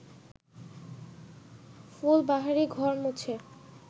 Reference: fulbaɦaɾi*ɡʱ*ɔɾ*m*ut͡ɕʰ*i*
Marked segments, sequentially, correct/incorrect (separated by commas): correct, correct, incorrect